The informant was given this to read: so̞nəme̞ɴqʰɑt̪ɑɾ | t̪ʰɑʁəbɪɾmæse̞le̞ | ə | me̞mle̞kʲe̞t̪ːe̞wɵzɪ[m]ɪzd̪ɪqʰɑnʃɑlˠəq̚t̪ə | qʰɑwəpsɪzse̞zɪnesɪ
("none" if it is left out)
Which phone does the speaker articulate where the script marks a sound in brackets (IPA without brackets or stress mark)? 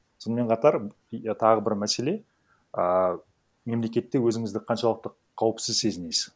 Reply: ŋ